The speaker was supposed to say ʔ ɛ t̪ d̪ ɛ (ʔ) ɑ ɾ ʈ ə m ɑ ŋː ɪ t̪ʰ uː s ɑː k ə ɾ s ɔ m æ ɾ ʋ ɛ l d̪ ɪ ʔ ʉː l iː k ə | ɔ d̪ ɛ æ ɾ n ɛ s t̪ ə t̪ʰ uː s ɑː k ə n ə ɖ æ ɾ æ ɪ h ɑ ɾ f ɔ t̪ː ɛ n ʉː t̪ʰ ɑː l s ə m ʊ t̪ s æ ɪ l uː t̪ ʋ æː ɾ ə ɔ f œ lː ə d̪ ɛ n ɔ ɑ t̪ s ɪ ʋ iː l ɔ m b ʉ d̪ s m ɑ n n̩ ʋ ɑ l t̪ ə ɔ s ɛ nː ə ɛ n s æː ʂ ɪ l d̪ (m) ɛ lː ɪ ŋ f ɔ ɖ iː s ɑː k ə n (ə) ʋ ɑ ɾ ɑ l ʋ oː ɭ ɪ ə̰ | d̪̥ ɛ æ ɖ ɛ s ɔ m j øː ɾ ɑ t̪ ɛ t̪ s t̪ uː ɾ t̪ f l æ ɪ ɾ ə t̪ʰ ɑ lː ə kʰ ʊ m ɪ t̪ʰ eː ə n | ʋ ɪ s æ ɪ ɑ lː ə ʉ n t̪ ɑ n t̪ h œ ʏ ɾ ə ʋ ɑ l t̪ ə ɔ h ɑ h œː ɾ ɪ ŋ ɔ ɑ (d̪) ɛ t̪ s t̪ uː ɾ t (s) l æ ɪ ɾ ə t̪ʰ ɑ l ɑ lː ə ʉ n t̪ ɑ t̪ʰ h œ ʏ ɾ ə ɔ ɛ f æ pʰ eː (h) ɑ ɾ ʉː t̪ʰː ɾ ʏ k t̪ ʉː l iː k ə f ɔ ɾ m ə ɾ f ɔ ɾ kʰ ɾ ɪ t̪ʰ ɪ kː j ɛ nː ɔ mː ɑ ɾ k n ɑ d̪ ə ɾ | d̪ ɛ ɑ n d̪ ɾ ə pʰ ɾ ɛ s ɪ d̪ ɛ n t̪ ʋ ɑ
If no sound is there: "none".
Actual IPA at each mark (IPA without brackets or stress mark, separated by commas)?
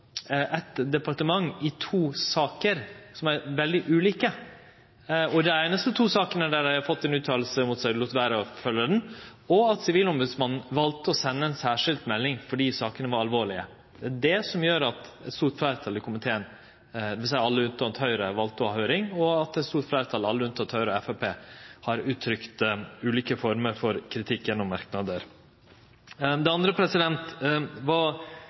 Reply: p, m, ə, t̪, f, h